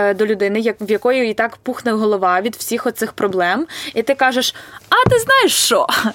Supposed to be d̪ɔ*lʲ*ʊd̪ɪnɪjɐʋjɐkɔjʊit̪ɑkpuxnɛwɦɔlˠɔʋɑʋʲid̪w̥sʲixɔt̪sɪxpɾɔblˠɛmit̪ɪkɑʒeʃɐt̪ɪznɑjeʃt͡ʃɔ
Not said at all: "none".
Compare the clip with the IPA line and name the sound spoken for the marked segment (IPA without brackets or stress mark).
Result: lʲ